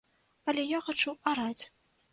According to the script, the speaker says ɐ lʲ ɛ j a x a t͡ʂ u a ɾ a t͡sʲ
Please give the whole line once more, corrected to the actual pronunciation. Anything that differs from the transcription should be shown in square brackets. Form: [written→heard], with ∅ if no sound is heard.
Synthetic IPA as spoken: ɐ lʲ ɛ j a x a t͡ʂ u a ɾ a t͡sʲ

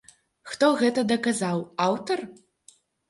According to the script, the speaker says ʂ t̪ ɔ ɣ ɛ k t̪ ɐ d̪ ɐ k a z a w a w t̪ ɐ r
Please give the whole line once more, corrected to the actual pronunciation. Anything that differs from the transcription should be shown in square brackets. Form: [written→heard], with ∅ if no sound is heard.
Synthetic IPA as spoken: [ʂ→x] t̪ ɔ ɣ ɛ [k→∅] t̪ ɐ d̪ ɐ k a z a w a w t̪ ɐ r

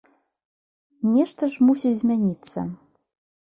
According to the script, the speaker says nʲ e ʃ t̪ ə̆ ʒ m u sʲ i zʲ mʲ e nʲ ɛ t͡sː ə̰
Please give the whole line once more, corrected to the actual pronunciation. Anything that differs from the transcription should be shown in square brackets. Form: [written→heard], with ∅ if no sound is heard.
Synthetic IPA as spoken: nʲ e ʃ t̪ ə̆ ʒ m u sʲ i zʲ mʲ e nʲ [ɛ→i] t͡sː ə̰

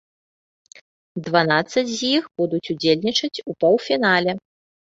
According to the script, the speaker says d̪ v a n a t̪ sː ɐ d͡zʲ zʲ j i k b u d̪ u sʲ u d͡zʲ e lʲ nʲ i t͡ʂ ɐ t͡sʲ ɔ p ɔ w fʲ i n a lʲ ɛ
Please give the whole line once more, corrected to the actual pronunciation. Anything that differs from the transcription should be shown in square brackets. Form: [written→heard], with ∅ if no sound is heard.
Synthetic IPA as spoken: d̪ v a n a t̪ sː ɐ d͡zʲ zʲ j i [k→x] b u d̪ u [sʲ→t͡sʲ] u d͡zʲ e lʲ nʲ i t͡ʂ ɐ t͡sʲ [ɔ→u] p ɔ w fʲ i n a lʲ ɛ

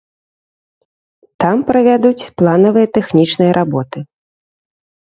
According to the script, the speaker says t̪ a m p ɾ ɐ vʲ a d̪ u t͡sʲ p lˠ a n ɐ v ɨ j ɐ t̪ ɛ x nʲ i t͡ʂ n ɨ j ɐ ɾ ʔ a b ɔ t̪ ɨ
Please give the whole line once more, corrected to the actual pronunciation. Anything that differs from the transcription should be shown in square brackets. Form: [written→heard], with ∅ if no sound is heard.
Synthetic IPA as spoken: t̪ a m p ɾ ɐ vʲ a d̪ u t͡sʲ p lˠ a n ɐ v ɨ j ɐ t̪ ɛ x nʲ i t͡ʂ n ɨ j ɐ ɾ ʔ a b ɔ t̪ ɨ

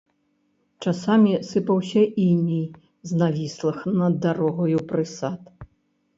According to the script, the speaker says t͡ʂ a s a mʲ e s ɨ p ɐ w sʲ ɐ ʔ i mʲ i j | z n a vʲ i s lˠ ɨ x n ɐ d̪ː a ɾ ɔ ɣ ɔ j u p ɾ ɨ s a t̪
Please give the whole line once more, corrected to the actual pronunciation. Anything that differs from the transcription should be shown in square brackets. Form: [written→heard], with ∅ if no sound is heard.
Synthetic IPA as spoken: t͡ʂ a s a mʲ [e→i] s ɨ p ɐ w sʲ ɐ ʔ i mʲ i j | z n a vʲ i s lˠ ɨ x n ɐ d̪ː a ɾ ɔ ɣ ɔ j u p ɾ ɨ s a t̪

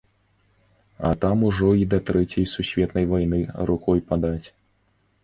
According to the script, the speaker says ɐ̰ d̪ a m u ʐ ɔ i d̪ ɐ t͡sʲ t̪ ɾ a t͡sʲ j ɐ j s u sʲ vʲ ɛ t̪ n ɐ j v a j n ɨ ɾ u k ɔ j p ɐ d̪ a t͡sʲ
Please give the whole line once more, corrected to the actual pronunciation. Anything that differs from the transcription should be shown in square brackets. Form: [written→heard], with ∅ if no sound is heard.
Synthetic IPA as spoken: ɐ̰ [d̪→t̪] a m u ʐ ɔ i d̪ ɐ [t͡sʲ→∅] t̪ ɾ [a→ɛ] t͡sʲ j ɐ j s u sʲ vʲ ɛ t̪ n ɐ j v a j n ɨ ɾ u k ɔ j p [ɐ→a] d̪ a t͡sʲ

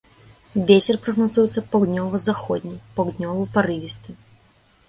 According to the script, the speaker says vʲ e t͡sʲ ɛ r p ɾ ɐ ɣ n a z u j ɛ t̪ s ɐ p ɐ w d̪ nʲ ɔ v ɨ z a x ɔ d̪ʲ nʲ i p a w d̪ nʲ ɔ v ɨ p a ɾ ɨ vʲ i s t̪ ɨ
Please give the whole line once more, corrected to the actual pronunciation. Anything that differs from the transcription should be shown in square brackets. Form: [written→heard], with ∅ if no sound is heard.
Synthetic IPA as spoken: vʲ e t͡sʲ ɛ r p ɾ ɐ ɣ n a z u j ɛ t̪ s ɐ p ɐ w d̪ nʲ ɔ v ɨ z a x ɔ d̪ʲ nʲ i p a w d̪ nʲ ɔ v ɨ p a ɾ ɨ vʲ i s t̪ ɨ

